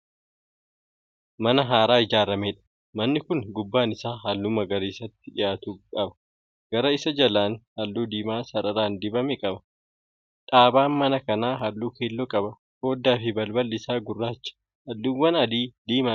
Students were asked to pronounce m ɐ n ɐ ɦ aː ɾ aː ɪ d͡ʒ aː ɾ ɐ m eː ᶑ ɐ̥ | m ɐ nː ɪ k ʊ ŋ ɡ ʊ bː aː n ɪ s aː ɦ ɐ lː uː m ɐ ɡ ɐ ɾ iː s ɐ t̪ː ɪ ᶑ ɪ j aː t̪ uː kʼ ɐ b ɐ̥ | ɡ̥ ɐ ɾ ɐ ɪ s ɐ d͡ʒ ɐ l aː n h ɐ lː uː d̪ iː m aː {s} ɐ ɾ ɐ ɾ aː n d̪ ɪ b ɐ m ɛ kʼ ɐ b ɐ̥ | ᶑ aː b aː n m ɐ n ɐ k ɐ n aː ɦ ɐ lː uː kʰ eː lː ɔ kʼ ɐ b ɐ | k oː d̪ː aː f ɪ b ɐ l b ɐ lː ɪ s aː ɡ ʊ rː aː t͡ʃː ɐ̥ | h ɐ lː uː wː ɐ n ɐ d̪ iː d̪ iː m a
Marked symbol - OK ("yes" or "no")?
yes